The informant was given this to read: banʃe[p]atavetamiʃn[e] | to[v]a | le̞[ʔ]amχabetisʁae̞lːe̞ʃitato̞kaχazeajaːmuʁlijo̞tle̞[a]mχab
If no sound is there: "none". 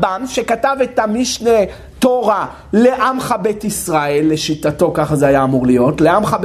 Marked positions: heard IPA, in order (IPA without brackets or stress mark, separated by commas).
k, e, ʁ, ʔ, a